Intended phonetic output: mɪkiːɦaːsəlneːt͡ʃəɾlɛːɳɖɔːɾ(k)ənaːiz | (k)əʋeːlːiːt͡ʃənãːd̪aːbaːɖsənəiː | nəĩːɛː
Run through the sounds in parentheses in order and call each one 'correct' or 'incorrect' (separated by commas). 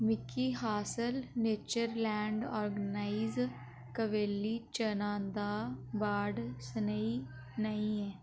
incorrect, correct